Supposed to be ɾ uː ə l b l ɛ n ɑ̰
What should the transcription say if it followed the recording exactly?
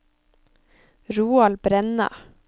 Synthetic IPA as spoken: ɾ uː ɑ l b ɾ ɛ n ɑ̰

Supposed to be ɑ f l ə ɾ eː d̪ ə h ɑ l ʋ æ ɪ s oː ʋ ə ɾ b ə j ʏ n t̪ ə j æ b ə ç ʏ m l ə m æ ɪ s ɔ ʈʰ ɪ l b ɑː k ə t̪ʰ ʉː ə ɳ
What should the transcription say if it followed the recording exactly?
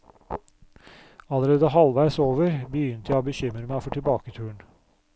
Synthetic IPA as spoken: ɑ l ə ɾ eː d̪ ə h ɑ l ʋ æ ɪ s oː ʋ ə ɾ b ə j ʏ n t̪ ə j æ b ə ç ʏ m ɾ ə m æ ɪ f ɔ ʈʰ ɪ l b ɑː k ə t̪ʰ ʉː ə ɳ

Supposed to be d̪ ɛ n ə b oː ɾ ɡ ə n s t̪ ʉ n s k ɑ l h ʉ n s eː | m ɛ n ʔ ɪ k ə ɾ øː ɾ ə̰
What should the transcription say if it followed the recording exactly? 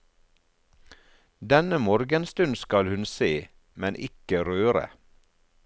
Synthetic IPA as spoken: d̪ ɛ n ə m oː ɾ ɡ ə n s t̪ ʉ n s k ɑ l h ʉ n s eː | m ɛ n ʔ ɪ k ə ɾ øː ɾ ə̰

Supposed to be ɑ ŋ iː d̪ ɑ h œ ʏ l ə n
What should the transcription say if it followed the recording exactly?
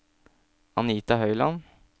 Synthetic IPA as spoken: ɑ n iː t̪ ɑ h œ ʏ l ɑ n

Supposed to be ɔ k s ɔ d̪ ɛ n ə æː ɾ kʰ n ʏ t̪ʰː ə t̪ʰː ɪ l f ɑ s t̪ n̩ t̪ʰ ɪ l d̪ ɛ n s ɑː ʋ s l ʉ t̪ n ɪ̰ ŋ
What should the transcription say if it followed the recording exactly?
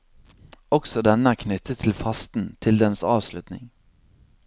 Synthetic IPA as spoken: ɔ k s ɔ d̪ ɛ n ə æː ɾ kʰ n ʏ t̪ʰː ə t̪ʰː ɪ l f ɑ s t̪ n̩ t̪ʰ ɪ l d̪ ɛ n s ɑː ʋ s l ʉ t̪ n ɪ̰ ŋ

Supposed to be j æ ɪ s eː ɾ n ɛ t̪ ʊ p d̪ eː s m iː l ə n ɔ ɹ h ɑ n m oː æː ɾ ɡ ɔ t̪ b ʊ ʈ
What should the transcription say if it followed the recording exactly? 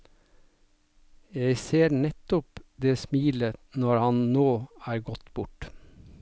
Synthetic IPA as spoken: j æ ɪ s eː ɾ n ɛ t̪ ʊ p d̪ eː s m iː l ə n ɔ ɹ h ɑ n n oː æː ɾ ɡ ɔ t̪ b ʊ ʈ

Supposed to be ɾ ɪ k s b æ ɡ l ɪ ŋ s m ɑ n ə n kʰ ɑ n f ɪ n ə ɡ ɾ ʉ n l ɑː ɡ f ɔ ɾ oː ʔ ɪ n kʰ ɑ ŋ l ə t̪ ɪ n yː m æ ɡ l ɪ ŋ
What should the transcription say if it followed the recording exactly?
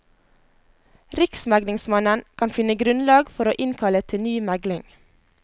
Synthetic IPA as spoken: ɾ ɪ k s m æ ɡ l ɪ ŋ s m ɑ n ə n kʰ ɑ n f ɪ n ə ɡ ɾ ʉ n l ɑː ɡ f ɔ ɾ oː ʔ ɪ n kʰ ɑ l ə t̪ʰ ɪ n yː m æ ɡ l ɪ ŋ

